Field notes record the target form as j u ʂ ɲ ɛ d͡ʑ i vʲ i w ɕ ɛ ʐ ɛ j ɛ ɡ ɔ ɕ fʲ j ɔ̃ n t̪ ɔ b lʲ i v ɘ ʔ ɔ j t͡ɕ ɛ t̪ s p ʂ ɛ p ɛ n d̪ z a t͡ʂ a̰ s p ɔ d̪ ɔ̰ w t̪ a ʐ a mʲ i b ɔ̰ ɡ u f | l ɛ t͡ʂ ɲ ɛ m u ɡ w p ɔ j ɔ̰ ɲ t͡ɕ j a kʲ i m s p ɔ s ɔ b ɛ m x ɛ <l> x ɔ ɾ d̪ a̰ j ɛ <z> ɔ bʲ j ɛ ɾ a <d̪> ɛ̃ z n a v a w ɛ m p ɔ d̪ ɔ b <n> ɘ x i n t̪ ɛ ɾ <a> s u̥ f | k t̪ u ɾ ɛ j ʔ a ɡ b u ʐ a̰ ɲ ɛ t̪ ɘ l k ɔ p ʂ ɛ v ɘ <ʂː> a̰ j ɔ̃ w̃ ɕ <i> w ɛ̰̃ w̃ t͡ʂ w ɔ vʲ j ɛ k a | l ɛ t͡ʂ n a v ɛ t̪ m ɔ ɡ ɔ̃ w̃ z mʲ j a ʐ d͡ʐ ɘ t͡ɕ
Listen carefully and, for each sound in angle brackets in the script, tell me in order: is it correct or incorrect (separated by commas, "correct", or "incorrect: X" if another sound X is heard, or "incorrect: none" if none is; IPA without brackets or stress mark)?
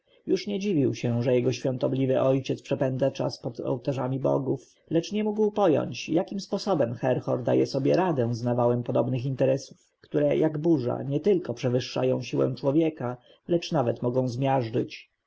incorrect: ɾ, incorrect: s, correct, correct, incorrect: ɛ, correct, correct